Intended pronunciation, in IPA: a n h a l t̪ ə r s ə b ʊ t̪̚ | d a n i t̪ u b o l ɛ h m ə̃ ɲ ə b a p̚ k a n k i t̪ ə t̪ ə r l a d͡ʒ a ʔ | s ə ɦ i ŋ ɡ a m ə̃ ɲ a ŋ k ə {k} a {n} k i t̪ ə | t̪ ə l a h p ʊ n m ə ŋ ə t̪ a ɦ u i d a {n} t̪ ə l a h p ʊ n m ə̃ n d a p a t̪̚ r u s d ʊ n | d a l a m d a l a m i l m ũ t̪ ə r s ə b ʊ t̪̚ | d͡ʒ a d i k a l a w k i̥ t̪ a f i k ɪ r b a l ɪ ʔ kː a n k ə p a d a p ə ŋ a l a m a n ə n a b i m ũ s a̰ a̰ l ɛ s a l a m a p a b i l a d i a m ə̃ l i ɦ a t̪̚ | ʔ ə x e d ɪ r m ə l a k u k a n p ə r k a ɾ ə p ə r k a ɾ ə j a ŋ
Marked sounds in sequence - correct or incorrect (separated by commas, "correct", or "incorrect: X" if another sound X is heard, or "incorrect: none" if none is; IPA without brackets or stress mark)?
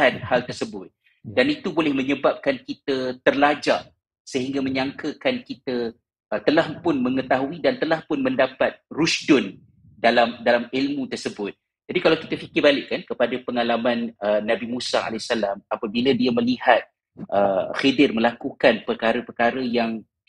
correct, correct, correct